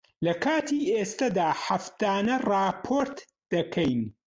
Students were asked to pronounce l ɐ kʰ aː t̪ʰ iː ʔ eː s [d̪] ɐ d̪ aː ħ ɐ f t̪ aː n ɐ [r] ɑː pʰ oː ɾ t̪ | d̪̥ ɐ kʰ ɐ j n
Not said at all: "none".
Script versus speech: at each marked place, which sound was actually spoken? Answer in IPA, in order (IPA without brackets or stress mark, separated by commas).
t̪, r